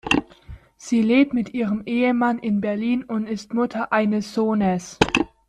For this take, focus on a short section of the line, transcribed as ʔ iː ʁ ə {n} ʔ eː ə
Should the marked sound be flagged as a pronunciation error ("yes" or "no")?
yes